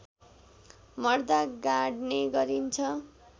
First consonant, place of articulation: labial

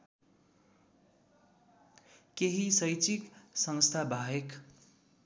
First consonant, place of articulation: velar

